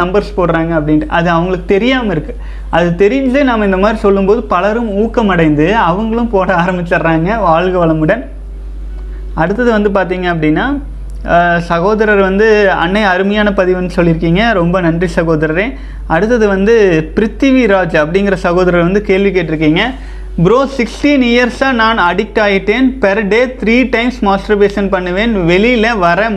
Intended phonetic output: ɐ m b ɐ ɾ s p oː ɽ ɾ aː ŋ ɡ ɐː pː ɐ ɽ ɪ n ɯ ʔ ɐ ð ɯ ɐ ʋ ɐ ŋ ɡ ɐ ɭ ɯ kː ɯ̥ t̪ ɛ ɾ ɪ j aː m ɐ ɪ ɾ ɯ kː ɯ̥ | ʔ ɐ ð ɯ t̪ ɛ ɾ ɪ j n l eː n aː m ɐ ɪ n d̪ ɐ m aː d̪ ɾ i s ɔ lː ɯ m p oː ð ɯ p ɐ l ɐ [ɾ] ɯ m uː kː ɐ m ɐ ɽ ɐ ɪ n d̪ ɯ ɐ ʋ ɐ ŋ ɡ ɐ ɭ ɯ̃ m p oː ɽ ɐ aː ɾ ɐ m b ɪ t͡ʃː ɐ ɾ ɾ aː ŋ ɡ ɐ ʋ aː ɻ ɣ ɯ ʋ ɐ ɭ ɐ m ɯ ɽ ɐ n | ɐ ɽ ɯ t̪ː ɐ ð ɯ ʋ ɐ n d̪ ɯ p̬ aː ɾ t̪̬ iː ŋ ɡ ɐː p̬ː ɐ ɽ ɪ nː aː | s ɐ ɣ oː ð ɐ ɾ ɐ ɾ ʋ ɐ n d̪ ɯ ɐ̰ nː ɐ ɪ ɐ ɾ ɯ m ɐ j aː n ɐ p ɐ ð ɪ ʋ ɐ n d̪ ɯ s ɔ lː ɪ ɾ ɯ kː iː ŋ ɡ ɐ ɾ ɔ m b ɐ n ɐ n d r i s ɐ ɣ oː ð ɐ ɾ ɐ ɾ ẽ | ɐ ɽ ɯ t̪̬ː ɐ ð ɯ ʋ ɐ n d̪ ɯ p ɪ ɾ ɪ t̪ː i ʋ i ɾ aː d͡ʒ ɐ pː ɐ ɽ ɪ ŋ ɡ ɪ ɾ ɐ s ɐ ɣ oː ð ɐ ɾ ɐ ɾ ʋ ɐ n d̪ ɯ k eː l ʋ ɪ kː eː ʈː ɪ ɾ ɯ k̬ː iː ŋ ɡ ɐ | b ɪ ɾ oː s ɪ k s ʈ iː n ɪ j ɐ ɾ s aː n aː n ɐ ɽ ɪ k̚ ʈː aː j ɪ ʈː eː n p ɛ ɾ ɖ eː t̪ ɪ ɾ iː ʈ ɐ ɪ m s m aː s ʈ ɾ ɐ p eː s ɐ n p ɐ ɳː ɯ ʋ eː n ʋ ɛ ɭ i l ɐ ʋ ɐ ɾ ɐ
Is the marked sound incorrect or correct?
correct